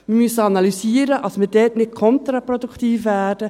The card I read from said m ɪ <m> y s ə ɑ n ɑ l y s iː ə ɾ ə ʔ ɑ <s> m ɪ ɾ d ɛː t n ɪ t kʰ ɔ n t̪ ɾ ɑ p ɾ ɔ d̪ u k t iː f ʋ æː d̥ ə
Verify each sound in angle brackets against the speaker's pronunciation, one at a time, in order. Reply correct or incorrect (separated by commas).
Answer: correct, correct